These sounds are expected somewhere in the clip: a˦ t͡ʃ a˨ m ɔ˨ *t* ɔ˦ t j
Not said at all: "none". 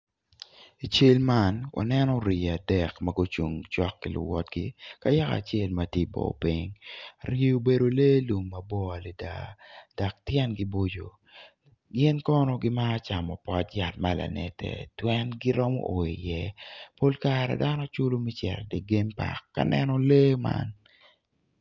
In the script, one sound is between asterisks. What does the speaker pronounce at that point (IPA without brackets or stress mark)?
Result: p